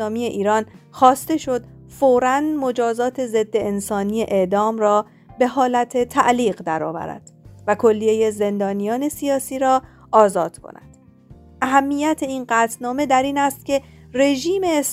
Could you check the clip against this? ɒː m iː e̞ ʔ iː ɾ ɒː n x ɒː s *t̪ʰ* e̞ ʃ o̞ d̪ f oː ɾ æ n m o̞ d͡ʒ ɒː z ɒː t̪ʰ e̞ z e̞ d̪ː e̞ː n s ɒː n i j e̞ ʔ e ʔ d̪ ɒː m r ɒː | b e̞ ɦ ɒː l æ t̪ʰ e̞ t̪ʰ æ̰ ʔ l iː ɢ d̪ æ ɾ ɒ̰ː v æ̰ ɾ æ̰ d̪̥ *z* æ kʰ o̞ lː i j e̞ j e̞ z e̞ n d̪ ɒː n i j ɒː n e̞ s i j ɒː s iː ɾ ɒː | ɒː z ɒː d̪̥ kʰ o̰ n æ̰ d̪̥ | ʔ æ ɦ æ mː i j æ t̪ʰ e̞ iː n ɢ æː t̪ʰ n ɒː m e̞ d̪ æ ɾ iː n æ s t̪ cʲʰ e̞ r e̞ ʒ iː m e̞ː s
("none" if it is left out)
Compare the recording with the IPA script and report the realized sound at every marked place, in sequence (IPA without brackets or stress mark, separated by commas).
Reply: t̪, v